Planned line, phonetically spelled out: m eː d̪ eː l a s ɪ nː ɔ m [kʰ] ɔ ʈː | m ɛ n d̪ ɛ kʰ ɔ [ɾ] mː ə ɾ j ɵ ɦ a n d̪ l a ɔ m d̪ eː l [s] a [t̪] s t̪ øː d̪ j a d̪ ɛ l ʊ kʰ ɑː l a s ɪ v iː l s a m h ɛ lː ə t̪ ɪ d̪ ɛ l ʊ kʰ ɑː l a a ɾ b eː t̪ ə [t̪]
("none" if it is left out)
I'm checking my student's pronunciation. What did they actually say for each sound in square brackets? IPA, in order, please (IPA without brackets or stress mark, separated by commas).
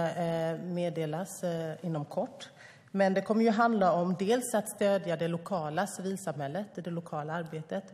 kʰ, none, s, t̪, t̪